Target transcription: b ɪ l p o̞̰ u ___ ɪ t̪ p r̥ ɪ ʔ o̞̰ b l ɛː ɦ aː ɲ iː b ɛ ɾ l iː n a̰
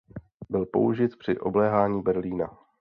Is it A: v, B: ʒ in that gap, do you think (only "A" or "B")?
B